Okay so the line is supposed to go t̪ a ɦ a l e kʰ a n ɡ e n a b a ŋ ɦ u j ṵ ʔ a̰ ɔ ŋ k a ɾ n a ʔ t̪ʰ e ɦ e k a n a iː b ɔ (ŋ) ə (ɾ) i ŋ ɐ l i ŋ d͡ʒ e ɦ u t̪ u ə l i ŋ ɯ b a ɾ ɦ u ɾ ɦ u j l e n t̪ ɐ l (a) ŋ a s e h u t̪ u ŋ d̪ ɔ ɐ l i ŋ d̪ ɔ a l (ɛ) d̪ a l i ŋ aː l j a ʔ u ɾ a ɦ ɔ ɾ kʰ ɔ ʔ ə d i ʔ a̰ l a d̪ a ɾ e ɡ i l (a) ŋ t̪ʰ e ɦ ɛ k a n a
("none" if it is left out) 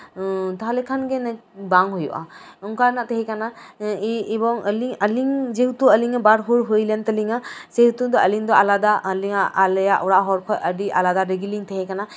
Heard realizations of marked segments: ŋ, l, i, a, i

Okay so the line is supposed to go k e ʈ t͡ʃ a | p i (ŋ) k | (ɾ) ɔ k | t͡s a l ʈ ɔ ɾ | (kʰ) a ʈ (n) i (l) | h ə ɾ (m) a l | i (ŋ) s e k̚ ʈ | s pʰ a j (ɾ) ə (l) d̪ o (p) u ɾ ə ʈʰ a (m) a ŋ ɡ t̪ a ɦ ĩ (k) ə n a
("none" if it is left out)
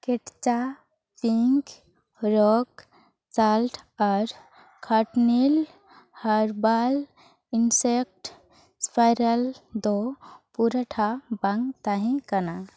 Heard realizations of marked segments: ŋ, ɾ, kʰ, n, l, b, n, ɾ, l, p, b, k

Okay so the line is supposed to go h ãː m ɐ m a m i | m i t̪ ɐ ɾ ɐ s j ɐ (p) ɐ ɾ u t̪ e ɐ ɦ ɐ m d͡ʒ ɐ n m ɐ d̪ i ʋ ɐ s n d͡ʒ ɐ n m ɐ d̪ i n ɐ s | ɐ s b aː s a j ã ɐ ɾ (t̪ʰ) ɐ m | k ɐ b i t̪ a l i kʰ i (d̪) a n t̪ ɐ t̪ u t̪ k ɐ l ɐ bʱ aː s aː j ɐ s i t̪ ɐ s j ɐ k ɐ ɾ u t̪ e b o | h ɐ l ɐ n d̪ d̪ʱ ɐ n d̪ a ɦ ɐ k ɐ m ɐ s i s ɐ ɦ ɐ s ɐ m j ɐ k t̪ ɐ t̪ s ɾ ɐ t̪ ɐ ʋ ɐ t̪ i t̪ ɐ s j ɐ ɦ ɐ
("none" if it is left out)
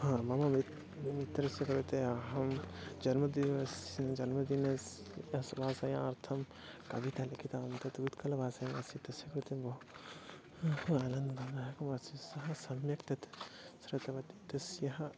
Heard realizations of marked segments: k, t̪ʰ, t̪

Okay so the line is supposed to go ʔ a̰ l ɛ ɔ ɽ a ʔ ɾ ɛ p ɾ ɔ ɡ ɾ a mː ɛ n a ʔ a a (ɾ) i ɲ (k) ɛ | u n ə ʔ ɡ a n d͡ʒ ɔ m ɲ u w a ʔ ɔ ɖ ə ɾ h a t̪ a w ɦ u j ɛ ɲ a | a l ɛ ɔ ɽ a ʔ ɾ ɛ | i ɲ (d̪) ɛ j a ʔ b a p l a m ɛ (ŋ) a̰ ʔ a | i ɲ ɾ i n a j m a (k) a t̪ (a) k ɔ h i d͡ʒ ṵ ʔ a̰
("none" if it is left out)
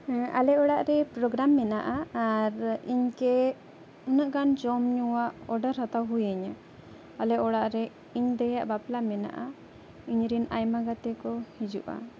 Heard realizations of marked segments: ɾ, k, d̪, n, ɡ, ɛ

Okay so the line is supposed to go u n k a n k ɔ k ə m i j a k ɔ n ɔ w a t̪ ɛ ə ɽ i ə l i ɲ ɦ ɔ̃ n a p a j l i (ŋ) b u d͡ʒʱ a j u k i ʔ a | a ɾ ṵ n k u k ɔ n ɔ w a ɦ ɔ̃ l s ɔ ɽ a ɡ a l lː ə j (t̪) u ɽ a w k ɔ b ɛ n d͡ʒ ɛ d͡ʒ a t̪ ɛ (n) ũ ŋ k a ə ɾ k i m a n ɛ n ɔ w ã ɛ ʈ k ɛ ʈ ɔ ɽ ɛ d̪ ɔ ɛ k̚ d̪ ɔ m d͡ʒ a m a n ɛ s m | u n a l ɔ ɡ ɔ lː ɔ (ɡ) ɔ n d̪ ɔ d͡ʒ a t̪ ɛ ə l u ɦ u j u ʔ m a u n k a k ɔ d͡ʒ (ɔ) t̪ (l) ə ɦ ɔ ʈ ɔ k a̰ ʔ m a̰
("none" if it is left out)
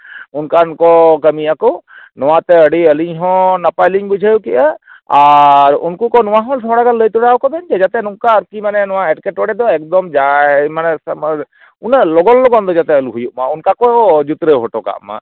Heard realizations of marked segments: ŋ, t̪, n, ɡ, u, ɾ

